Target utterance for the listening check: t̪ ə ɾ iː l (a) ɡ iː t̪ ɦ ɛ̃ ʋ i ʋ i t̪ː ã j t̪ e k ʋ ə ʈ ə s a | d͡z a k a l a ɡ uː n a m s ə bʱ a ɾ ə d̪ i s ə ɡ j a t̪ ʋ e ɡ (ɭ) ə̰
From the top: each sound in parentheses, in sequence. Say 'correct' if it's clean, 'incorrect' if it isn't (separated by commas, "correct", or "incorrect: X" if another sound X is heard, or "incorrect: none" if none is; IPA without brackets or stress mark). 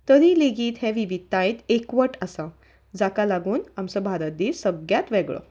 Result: incorrect: e, correct